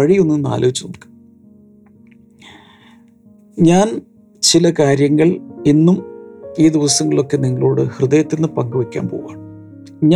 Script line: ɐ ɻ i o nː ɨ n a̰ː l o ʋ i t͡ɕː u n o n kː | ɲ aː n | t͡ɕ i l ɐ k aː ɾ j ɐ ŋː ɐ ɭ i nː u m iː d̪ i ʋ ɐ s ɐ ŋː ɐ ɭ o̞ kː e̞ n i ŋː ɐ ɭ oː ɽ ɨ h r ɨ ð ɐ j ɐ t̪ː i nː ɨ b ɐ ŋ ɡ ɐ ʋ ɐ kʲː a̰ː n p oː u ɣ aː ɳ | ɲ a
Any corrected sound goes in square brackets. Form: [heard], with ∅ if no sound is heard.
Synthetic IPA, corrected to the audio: ɐ ɻ i o nː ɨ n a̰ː l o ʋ i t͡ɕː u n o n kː | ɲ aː n | t͡ɕ i l ɐ k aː ɾ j ɐ ŋː ɐ ɭ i nː u m iː d̪ i ʋ ɐ s ɐ ŋː ɐ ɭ o̞ kː e̞ n i ŋː ɐ ɭ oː ɽ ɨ h r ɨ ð ɐ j ɐ t̪ː i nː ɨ [p] ɐ ŋ ɡ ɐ ʋ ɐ kʲː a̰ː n p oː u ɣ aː ɳ | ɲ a